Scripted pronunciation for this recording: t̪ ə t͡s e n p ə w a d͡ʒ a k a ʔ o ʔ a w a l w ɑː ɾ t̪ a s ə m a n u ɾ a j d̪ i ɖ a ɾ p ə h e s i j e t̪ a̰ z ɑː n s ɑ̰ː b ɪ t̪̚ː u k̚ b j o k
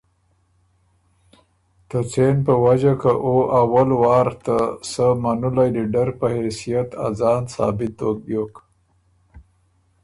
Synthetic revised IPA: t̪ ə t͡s e n p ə w a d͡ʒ a k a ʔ o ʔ a w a l w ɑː ɾ t̪ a s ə m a n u l a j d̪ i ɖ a ɾ p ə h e s i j a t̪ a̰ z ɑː n s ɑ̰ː b ɪ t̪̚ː o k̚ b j o k